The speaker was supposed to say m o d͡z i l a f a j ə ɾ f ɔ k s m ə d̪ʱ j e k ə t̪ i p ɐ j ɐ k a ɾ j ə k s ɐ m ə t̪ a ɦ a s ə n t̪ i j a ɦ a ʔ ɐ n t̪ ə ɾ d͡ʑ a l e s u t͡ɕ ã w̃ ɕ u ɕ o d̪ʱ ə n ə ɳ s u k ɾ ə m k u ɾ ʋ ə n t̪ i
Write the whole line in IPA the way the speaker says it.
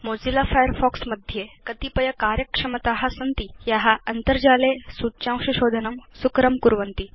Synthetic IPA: m o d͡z i l a f a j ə ɾ f ɔ k s m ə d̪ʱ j e k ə t̪ i p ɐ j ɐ k a ɾ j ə k ʂ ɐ m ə t̪ a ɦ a s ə n t̪ i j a ɦ a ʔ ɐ n t̪ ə ɾ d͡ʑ a l e s u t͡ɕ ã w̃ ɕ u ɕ o d̪ʱ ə n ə m s u k ɾ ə m k u ɾ ʋ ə n t̪ i